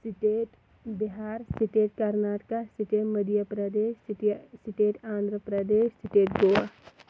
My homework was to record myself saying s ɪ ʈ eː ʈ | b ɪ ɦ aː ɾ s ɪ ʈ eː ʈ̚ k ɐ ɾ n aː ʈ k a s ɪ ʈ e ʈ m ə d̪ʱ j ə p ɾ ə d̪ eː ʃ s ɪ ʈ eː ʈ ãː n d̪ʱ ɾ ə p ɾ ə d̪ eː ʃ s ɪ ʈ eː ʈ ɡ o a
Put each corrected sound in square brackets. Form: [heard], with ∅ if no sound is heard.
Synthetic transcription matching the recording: s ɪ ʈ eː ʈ | b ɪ ɦ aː ɾ s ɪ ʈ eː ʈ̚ k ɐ ɾ n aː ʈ k a s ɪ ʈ e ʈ m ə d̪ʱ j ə p ɾ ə d̪ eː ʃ s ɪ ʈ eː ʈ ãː n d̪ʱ ɾ ə p ɾ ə d̪ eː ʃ s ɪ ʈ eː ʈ ɡ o a

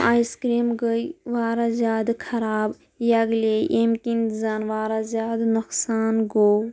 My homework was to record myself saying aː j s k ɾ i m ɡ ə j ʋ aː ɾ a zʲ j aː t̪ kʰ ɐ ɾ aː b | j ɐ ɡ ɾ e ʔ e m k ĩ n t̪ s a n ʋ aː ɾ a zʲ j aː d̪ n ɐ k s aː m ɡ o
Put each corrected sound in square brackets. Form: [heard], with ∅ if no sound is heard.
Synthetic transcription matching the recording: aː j s k ɾ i m ɡ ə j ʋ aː ɾ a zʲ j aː [d̪] kʰ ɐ ɾ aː b | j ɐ ɡ [l] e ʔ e m k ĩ n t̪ [z] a n ʋ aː ɾ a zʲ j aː d̪ n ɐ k s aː [n] ɡ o

